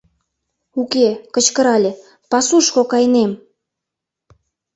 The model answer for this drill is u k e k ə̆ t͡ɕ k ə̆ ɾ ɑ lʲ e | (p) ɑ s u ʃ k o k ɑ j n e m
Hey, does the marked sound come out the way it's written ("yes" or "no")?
yes